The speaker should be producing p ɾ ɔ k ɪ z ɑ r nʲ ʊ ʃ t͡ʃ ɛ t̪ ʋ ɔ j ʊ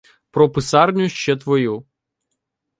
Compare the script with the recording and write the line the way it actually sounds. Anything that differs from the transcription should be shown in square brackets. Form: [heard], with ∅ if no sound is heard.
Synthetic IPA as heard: p ɾ ɔ [p] ɪ [s] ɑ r nʲ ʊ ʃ t͡ʃ ɛ t̪ ʋ ɔ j [u]